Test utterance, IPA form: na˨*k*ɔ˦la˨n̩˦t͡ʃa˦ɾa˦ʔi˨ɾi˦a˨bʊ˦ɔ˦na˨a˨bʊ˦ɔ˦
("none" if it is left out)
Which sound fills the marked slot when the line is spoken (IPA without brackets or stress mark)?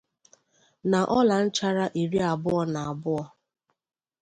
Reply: ʔ